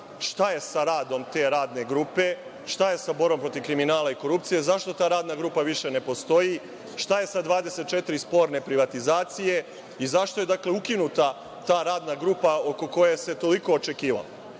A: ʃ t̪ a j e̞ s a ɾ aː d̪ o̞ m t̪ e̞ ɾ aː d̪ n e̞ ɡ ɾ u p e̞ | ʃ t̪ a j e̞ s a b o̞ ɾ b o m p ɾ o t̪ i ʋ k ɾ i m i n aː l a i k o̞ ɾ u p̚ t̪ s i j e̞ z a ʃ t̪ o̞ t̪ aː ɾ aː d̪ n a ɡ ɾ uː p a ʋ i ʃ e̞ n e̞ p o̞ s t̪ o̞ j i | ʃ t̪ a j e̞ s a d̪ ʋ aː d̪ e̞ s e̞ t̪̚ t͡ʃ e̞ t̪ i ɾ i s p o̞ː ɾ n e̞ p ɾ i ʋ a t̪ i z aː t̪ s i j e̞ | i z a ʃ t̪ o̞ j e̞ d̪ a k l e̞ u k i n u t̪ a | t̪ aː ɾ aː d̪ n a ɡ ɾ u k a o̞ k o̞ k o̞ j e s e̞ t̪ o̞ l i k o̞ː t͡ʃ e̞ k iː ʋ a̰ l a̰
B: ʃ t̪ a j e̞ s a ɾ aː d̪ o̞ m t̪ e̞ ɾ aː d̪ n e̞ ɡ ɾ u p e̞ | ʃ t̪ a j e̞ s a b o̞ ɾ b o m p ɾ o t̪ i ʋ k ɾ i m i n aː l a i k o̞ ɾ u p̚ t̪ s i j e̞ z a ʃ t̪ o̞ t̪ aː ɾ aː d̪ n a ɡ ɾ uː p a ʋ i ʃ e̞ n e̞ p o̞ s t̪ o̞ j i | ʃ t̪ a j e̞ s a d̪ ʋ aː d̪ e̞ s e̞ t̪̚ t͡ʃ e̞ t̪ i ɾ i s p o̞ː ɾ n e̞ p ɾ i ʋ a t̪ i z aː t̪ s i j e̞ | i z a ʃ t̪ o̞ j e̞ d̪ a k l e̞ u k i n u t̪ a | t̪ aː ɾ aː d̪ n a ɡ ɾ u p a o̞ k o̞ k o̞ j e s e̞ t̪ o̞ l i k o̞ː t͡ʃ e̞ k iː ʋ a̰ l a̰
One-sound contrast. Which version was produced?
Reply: B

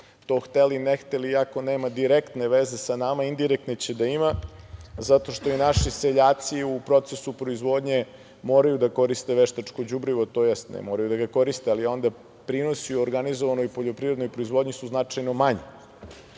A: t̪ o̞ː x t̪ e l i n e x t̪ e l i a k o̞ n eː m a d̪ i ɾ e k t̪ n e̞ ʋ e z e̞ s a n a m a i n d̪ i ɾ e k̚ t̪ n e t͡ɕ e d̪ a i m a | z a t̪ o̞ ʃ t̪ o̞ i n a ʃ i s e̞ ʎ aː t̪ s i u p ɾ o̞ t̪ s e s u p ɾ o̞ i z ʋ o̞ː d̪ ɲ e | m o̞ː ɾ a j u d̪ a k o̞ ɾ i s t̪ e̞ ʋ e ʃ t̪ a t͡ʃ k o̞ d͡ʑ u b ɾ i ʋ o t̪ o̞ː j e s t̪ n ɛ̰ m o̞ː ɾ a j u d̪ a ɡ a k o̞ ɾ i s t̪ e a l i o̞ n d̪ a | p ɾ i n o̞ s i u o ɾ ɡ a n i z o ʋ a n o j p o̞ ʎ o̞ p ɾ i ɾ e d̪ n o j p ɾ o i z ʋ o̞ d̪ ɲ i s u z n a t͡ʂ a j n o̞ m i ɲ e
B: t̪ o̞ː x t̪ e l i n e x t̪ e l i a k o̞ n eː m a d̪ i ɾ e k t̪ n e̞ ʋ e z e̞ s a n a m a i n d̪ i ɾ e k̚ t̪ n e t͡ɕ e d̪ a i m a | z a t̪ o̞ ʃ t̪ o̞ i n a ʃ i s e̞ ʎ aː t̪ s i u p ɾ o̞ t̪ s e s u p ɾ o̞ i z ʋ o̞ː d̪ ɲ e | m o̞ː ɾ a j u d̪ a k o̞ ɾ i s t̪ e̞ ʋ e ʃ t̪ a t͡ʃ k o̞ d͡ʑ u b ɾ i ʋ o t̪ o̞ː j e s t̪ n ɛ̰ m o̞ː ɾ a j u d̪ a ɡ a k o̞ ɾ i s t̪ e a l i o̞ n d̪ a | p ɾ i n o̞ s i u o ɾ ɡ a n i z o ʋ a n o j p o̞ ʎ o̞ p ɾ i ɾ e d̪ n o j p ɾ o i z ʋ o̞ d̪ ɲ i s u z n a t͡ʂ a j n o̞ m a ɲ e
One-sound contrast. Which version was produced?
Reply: B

